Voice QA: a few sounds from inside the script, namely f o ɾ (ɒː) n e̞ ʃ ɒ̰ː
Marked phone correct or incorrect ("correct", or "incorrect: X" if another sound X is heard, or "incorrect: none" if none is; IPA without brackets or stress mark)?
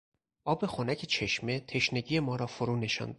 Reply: incorrect: uː